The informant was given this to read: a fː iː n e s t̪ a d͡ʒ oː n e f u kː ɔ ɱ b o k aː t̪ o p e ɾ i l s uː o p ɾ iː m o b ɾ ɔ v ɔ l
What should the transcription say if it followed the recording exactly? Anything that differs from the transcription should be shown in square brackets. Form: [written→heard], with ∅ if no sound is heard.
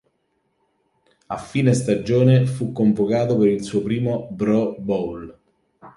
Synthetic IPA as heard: a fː iː n e s t̪ a d͡ʒ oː n e f u kː [ɔ→o] ɱ [b→v] o k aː t̪ o p e ɾ i l s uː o p ɾ iː m o b ɾ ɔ [v→b] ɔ l

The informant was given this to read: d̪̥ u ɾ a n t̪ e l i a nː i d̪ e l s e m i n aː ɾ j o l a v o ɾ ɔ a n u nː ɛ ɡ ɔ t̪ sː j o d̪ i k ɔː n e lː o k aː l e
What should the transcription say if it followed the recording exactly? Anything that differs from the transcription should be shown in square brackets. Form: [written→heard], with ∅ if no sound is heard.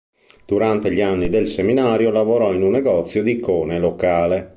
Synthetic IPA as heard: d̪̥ u ɾ a n t̪ e [l→ʎ] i a nː i d̪ e l s e m i n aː ɾ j o l a v o ɾ ɔ [a→i] n u nː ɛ ɡ ɔ t̪ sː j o d̪ i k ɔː n e [lː→l] o k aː l e

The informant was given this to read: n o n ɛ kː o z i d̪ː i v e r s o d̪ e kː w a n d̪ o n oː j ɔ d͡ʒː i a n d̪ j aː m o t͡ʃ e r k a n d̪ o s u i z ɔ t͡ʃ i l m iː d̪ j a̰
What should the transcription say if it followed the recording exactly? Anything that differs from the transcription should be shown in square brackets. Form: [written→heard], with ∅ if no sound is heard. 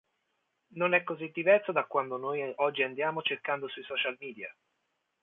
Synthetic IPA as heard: n o n ɛ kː o z i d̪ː i v [e→ɛ] r s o d̪ [e→a] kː w a n d̪ o n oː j ɔ d͡ʒː i a n d̪ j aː m o t͡ʃ e r k a n d̪ o s u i [z→s] ɔ t͡ʃ [i→a] l m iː d̪ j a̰

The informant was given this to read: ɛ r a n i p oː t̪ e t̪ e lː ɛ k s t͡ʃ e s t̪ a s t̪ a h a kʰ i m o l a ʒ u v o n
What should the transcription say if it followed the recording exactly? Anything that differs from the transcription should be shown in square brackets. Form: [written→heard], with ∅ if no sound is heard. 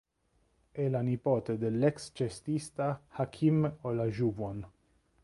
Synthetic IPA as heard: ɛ [r→l] a n i p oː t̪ e [t̪→d̪] e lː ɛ k s t͡ʃ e s t̪ [a→i] s t̪ a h a kʰ i m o l a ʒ u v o n

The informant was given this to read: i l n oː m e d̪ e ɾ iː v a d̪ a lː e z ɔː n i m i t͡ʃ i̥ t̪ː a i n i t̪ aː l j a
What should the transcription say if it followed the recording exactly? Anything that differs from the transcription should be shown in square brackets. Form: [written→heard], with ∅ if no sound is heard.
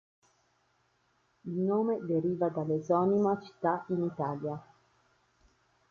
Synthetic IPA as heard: i l n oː m e d̪ e ɾ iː v a d̪ a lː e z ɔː n i m [i→a] t͡ʃ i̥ t̪ː a i n i t̪ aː l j a

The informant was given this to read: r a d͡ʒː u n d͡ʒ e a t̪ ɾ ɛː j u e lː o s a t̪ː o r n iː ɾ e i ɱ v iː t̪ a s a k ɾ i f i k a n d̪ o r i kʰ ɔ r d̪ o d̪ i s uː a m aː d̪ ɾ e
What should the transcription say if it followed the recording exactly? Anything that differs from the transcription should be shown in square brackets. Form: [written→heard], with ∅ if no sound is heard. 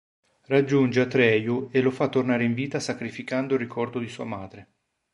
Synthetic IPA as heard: r a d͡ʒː u n d͡ʒ e a t̪ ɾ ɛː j u e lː o [s→f] a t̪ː o r n [iː→aː] ɾ e i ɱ v iː t̪ a s a k ɾ i f i k a n d̪ o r i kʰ ɔ r d̪ o d̪ i s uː a m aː d̪ ɾ e

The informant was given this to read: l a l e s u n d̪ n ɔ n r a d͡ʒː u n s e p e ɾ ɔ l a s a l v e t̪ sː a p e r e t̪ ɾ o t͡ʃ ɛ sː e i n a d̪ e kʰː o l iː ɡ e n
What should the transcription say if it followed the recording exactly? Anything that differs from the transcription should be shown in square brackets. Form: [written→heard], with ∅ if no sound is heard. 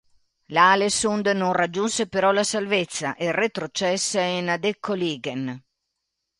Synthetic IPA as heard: l a l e s u n d̪ n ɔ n r a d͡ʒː u n s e p e ɾ ɔ l a s a l v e t̪ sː a [p→ʔ] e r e t̪ ɾ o t͡ʃ ɛ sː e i n a d̪ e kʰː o l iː ɡ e n

